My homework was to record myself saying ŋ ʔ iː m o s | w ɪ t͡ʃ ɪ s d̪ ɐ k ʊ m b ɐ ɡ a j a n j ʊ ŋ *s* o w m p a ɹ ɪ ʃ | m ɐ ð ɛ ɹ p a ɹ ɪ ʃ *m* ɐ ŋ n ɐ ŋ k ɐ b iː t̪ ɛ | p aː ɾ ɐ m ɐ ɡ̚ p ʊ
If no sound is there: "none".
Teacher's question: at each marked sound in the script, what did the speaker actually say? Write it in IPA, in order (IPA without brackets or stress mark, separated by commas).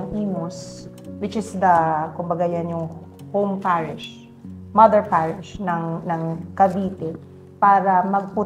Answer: h, n